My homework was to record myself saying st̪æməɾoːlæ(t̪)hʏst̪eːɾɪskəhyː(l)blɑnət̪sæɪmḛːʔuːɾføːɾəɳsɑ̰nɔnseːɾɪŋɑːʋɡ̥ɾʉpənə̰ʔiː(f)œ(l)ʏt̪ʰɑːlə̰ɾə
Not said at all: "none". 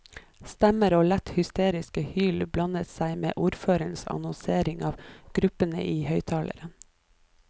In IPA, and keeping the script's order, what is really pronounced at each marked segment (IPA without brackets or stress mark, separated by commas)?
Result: t̪, l, h, none